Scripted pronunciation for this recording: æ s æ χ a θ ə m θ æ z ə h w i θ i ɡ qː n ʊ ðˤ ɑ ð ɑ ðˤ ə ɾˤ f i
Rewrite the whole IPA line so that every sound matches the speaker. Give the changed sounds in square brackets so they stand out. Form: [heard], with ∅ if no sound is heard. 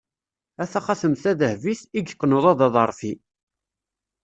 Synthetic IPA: æ [θ] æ χ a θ ə m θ æ [ð] ə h [v] i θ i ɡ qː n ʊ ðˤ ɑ ð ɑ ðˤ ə ɾˤ f i